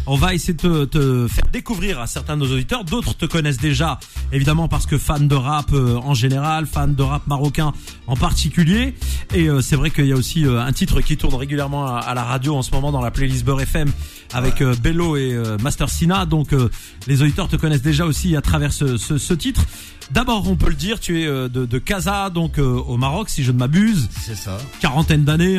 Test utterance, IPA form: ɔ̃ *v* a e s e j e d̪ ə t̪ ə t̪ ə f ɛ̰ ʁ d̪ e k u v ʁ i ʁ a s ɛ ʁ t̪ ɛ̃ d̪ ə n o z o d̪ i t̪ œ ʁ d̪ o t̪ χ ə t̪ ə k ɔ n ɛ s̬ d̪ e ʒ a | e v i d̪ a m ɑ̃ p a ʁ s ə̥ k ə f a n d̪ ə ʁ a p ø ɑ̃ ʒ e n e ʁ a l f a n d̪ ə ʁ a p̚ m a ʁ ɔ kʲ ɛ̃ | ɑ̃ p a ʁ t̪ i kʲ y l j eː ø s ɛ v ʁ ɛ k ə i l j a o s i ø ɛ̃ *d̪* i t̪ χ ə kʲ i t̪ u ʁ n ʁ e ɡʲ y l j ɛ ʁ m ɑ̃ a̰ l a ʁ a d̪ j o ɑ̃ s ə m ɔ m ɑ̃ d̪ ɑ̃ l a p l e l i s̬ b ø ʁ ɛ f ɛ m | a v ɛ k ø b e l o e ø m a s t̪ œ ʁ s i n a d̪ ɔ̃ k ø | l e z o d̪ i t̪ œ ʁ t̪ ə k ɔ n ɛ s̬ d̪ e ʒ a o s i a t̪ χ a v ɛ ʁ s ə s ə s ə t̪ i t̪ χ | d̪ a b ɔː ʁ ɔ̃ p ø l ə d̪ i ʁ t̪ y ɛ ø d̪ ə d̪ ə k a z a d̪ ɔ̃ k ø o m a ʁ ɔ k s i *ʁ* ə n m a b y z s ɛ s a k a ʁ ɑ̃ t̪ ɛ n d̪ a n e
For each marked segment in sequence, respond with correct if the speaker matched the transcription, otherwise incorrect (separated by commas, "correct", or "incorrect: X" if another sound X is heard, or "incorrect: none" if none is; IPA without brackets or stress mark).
correct, incorrect: t̪, incorrect: ʒ